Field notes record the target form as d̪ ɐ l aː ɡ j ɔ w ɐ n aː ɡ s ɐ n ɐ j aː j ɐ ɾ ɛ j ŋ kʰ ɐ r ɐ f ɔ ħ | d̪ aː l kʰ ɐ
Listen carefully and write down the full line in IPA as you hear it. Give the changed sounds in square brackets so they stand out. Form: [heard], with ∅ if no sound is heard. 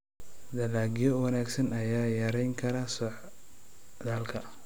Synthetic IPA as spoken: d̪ ɐ l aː ɡ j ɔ w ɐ n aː ɡ s ɐ n ɐ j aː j ɐ ɾ ɛ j ŋ kʰ ɐ [ɾ] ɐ [s] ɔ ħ | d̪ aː l kʰ ɐ